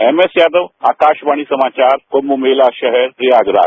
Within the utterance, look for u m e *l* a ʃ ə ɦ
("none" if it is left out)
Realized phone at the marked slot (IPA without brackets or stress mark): l